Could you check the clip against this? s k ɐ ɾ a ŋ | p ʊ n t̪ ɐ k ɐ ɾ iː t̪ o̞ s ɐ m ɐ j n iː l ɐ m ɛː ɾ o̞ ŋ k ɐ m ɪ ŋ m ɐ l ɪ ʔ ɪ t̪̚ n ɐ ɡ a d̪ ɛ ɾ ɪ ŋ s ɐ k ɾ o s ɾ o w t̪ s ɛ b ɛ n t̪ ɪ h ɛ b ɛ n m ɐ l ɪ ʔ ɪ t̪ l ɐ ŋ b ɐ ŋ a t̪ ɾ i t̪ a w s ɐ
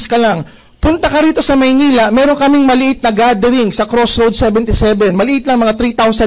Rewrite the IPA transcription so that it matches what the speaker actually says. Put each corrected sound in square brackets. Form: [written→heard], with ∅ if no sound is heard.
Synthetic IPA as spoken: s k ɐ [ɾ→l] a ŋ | p ʊ n t̪ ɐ k ɐ ɾ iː t̪ o̞ s ɐ m ɐ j n iː l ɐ m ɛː ɾ o̞ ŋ k ɐ m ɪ ŋ m ɐ l ɪ ʔ ɪ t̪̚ n ɐ ɡ a d̪ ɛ ɾ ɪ ŋ s ɐ k ɾ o s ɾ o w [t̪→d̪] s ɛ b ɛ n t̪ ɪ [h→s] ɛ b ɛ n m ɐ l ɪ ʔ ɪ t̪ l ɐ ŋ [b→m] ɐ ŋ a t̪ ɾ i t̪ a w s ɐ

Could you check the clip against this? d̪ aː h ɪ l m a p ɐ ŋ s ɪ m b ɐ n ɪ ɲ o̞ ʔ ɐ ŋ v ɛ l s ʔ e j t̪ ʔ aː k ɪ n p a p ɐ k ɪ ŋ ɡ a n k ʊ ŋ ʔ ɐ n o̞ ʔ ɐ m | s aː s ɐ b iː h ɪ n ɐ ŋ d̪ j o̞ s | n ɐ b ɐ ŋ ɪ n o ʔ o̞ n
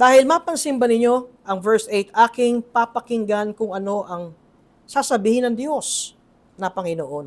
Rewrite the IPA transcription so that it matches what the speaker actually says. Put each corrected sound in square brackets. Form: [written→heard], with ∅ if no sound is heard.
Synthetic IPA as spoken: d̪ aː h ɪ l m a p ɐ ŋ s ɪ m b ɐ n ɪ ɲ o̞ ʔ ɐ ŋ v ɛ [l→ɹ] s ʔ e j t̪ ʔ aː k ɪ [n→ŋ] p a p ɐ k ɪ ŋ ɡ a n k ʊ ŋ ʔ ɐ n o̞ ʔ ɐ [m→ŋ] | s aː s ɐ b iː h ɪ n ɐ ŋ d̪ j o̞ s | n ɐ [b→p] ɐ ŋ ɪ n o ʔ o̞ n

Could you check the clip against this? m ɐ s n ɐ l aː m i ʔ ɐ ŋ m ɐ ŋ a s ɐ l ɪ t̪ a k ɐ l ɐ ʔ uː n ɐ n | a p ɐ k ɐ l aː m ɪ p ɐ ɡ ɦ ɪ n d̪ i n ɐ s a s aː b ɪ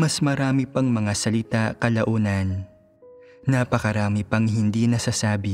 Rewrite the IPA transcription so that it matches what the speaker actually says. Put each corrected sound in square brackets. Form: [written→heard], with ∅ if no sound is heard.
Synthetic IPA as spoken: m ɐ s [n→m] ɐ [l→ɾ] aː m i [ʔ→p] ɐ ŋ m ɐ ŋ a s ɐ l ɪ t̪ a k ɐ l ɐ ʔ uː n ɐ n | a p ɐ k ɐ [l→ɾ] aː m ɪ p ɐ [ɡ→ŋ] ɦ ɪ n d̪ i n ɐ s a s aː b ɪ

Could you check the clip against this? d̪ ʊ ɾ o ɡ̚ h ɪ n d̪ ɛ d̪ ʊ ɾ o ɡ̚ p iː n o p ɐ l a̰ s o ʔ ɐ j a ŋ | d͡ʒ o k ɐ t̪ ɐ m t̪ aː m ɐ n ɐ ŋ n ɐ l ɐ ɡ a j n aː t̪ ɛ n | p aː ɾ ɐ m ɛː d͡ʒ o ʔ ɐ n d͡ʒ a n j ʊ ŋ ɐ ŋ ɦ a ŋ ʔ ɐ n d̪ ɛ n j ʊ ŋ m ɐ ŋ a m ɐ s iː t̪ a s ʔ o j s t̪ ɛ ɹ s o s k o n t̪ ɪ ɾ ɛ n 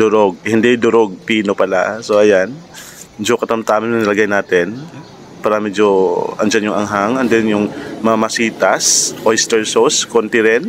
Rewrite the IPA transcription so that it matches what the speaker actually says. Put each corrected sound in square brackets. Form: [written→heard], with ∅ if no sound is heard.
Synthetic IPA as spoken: d̪ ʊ ɾ o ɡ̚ h ɪ n d̪ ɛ d̪ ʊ ɾ o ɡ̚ p iː n o p ɐ l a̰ s o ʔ ɐ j a [ŋ→n] | d͡ʒ o k ɐ t̪ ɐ m t̪ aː m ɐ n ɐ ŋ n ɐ l ɐ ɡ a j n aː t̪ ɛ n | p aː ɾ ɐ m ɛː d͡ʒ o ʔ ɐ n d͡ʒ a n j ʊ ŋ ɐ ŋ ɦ a ŋ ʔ ɐ n d̪ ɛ n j ʊ ŋ m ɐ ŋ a m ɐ s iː t̪ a s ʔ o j s t̪ ɛ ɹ s o s k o n t̪ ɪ ɾ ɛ n

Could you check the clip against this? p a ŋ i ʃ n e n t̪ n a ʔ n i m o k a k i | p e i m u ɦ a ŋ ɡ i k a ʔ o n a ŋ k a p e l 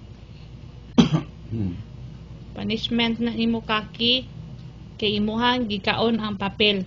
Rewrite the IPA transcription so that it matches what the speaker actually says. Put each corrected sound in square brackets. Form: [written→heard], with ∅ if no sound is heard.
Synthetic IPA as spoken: p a [ŋ→n] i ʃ [n→m] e n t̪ n a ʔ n i m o k a k i | [p→k] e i m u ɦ a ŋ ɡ i k a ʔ o n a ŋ [k→p] a p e l

